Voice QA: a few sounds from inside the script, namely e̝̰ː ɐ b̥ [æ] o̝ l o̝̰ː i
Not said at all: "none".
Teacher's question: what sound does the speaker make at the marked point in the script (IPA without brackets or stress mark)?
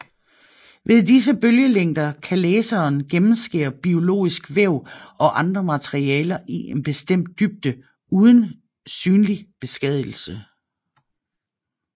i